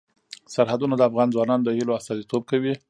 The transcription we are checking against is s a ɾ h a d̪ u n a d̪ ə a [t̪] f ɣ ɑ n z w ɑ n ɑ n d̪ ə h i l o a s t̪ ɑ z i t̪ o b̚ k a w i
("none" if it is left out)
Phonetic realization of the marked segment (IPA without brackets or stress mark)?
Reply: none